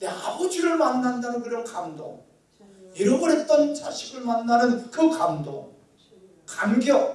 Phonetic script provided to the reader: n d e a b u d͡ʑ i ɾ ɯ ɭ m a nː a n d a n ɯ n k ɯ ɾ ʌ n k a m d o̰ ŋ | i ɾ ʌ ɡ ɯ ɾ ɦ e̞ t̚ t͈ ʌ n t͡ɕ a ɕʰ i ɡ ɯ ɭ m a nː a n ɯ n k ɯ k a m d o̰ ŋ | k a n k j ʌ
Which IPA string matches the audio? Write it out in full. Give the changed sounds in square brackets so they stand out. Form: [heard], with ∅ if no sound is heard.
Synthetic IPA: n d e a b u d͡ʑ i ɾ ɯ ɭ m a nː a n d a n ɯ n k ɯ ɾ ʌ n k a m d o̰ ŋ | i ɾ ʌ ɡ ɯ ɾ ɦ e̞ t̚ t͈ ʌ n t͡ɕ a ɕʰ i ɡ ɯ ɭ m a nː a n ɯ n k ɯ k a m d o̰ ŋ | k a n [ɡ] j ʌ